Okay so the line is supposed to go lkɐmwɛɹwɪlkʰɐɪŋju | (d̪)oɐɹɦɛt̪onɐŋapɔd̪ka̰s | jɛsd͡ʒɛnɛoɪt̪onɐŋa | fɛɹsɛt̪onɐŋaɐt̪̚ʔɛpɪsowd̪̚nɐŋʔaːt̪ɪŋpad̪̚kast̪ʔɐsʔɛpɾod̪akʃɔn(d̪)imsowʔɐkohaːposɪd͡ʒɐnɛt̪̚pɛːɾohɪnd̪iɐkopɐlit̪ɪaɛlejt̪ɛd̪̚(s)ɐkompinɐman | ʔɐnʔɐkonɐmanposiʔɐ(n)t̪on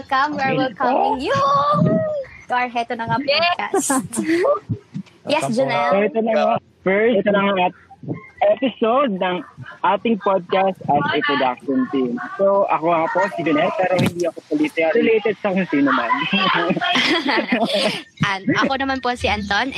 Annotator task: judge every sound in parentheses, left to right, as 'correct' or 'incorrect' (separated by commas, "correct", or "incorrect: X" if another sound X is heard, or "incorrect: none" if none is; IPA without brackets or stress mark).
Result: incorrect: t̪, incorrect: t̪, correct, correct